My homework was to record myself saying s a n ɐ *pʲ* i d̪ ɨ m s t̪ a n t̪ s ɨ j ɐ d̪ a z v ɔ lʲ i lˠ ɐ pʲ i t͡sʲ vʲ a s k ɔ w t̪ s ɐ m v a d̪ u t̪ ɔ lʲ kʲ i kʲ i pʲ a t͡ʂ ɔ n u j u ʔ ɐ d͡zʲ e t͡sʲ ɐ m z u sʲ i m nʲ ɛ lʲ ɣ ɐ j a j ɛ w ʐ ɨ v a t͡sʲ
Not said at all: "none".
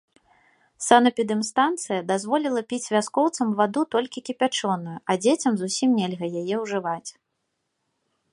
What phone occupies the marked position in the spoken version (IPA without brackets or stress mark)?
pʲ